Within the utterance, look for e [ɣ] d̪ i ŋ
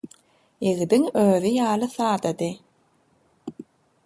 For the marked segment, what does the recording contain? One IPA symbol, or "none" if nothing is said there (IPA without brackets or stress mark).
ɣ